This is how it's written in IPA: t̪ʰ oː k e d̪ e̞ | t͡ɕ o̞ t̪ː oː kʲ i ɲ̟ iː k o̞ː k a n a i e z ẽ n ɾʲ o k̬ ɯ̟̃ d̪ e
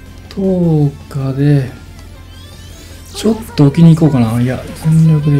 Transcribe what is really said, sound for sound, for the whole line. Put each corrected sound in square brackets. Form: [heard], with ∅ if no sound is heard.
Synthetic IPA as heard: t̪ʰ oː k [a] d̪ e̞ | t͡ɕ o̞ t̪ː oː kʲ i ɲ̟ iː k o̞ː k a n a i [a] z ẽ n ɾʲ o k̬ [ɯ̟] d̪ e

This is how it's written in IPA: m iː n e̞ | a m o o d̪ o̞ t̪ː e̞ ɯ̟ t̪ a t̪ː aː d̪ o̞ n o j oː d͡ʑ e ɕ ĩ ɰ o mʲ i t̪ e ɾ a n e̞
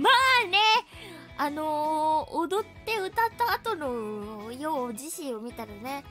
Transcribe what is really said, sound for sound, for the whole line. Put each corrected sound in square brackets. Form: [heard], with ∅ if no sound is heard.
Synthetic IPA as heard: m [aː] n e̞ | a [n] o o d̪ o̞ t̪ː e̞ ɯ̟ t̪ a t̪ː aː [t̪] o̞ n o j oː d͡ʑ [i] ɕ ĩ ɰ o mʲ i t̪ [a] ɾ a n e̞

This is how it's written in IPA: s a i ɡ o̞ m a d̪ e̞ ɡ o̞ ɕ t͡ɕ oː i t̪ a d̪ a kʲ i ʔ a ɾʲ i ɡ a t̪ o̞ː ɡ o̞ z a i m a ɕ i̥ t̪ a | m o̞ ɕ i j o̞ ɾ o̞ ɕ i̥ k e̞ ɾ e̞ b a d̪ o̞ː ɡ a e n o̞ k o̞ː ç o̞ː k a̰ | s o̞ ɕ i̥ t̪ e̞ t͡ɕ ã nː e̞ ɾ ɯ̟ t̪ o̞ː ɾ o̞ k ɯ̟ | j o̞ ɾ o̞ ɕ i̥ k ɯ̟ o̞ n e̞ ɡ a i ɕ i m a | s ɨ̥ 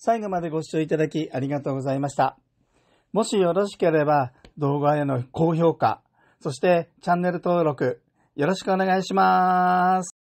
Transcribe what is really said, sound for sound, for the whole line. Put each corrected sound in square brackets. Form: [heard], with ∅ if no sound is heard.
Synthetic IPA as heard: s a i ɡ o̞ m a d̪ e̞ ɡ o̞ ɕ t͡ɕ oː i t̪ a d̪ a kʲ i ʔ a ɾʲ i ɡ a t̪ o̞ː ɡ o̞ z a i m a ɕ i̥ t̪ a | m o̞ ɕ i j o̞ ɾ o̞ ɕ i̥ k e̞ ɾ e̞ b a d̪ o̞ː ɡ a e n o̞ k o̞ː ç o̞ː k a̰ | s o̞ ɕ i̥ t̪ e̞ t͡ɕ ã nː e̞ ɾ ɯ̟ t̪ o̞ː ɾ o̞ k ɯ̟ | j o̞ ɾ o̞ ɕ i̥ k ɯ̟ o̞ n e̞ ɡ a i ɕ i m a | s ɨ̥

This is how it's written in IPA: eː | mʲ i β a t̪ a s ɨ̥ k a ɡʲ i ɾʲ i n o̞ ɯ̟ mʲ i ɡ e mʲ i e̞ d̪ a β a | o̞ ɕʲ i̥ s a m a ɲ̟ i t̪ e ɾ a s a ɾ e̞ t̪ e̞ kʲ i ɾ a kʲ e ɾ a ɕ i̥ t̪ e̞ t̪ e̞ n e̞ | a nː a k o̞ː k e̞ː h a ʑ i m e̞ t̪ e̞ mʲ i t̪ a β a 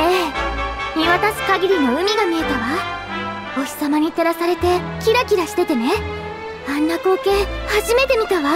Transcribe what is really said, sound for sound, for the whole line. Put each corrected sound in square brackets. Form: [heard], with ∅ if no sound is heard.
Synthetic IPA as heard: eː | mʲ i β a t̪ a s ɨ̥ k a ɡʲ i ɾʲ i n o̞ ɯ̟ mʲ i ɡ [a] mʲ i e̞ [t̪] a β a | o̞ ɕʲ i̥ s a m a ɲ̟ i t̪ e ɾ a s a ɾ e̞ t̪ e̞ kʲ i ɾ a kʲ [i] ɾ a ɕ i̥ t̪ e̞ t̪ e̞ n e̞ | a nː a k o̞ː k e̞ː h a ʑ i m e̞ t̪ e̞ mʲ i t̪ a β a

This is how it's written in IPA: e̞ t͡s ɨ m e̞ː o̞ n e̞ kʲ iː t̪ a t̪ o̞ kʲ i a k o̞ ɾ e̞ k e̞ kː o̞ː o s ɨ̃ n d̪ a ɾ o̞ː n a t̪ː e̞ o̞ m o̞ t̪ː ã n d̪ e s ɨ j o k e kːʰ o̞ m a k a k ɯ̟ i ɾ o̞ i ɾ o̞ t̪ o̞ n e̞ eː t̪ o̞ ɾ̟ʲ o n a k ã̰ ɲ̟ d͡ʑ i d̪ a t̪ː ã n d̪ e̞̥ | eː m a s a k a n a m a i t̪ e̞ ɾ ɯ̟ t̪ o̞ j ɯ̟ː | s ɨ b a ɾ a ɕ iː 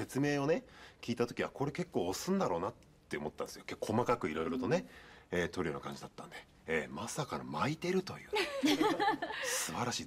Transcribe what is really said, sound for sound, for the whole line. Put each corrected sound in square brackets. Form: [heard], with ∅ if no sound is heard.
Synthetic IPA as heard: e̞ t͡s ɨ m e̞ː o̞ n e̞ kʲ iː t̪ a t̪ o̞ kʲ i a k o̞ ɾ e̞ k e̞ kː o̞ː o s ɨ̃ n d̪ a ɾ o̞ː n a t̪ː e̞ o̞ m o̞ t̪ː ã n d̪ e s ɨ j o k e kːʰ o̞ m a k a k ɯ̟ i ɾ o̞ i ɾ o̞ t̪ o̞ n e̞ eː t̪ o̞ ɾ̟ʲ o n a k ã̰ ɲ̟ d͡ʑ i d̪ a t̪ː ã n d̪ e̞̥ | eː m a s a k a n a m a i t̪ e̞ ɾ ɯ̟ t̪ o̞ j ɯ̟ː | s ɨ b a ɾ a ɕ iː

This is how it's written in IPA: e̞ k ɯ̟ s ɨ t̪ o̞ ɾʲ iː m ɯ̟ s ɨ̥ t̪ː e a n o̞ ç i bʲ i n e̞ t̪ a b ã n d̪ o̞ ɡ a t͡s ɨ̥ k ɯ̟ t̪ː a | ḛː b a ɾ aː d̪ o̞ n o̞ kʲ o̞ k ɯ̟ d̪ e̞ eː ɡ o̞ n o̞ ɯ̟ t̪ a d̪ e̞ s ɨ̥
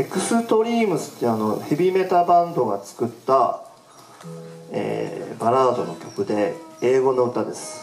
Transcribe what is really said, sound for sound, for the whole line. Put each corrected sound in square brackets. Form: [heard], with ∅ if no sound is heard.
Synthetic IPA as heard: e̞ k ɯ̟ s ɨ t̪ o̞ ɾʲ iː m ɯ̟ s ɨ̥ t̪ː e a n o̞ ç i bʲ i [m] e̞ t̪ a b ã n d̪ o̞ ɡ a t͡s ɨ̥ k ɯ̟ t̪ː a | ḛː b a ɾ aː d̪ o̞ n o̞ kʲ o̞ k ɯ̟ d̪ e̞ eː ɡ o̞ n o̞ ɯ̟ t̪ a d̪ e̞ s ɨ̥

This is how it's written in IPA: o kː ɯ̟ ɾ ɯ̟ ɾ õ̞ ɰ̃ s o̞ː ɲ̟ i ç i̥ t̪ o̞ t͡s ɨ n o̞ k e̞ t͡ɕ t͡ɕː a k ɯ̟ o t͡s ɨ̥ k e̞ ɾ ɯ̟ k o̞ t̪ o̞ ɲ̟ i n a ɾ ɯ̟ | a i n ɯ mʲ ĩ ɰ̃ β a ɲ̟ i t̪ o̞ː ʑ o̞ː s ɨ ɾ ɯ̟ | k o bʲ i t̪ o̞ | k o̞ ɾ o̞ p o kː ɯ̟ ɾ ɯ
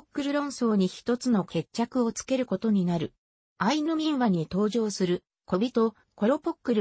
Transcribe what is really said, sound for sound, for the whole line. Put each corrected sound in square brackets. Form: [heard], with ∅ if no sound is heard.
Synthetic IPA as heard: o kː ɯ̟ ɾ ɯ̟ ɾ õ̞ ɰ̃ s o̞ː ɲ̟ i ç i̥ t̪ o̞ t͡s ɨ n o̞ k e̞ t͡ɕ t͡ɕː a k ɯ̟ o t͡s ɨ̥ k e̞ ɾ ɯ̟ k o̞ t̪ o̞ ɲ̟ i n a ɾ ɯ̟ | a i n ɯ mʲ ĩ ɰ̃ β a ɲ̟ i t̪ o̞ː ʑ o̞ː s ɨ ɾ ɯ̟ | k o bʲ i t̪ o̞ | k o̞ ɾ o̞ p o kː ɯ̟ ɾ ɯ

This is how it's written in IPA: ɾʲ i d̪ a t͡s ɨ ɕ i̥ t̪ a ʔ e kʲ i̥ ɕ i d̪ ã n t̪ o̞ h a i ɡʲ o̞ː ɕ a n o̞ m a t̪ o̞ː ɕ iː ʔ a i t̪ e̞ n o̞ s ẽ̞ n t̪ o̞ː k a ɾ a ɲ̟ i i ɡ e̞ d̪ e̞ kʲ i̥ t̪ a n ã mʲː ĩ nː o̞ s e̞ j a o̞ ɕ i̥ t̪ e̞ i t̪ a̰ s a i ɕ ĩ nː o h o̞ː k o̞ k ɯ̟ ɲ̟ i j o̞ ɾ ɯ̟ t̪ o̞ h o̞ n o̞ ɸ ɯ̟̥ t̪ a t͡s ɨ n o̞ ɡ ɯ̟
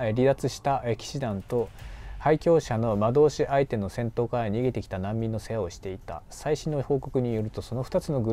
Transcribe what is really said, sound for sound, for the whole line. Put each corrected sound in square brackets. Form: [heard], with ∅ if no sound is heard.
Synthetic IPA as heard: ɾʲ i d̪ a t͡s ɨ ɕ i̥ t̪ a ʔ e kʲ i̥ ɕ i d̪ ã n t̪ o̞ h a i [kʲ] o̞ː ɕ a n o̞ m a [d̪] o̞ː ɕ [i] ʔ a i t̪ e̞ n o̞ s ẽ̞ n t̪ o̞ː k a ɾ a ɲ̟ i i ɡ e̞ [t̪] e̞ kʲ i̥ t̪ a n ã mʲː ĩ nː o̞ s e̞ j a o̞ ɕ i̥ t̪ e̞ i t̪ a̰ s a i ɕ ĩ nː o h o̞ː k o̞ k ɯ̟ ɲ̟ i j o̞ ɾ ɯ̟ t̪ o̞ [s] o̞ n o̞ ɸ ɯ̟̥ t̪ a t͡s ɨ n o̞ ɡ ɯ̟

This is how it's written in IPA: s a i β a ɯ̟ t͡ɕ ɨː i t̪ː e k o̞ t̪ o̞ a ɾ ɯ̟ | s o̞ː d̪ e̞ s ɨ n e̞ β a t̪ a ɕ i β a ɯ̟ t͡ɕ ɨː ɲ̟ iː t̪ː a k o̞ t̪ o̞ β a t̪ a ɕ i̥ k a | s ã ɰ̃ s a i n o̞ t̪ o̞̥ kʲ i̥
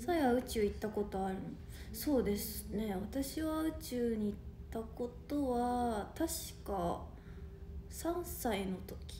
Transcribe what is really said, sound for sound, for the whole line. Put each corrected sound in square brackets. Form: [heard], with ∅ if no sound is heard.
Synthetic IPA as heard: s a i β a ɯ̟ t͡ɕ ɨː i t̪ː [a] k o̞ t̪ o̞ a ɾ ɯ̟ | s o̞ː d̪ e̞ s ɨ n e̞ β a t̪ a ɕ i β a ɯ̟ t͡ɕ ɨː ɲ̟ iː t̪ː a k o̞ t̪ o̞ β a t̪ a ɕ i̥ k a | s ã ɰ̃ s a i n o̞ t̪ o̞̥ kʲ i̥

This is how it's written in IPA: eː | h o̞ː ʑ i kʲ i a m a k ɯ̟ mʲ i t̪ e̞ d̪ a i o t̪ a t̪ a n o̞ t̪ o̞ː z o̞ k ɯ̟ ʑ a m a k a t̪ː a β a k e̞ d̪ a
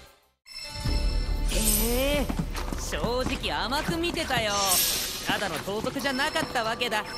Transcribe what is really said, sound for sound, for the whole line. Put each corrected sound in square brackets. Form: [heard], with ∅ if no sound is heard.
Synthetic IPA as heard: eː | [ɕ] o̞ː ʑ i kʲ i a m a k ɯ̟ mʲ i t̪ e̞ [t̪] a [j] o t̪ a [d̪] a n o̞ t̪ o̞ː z o̞ k ɯ̟ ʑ a [n] a k a t̪ː a β a k e̞ d̪ a

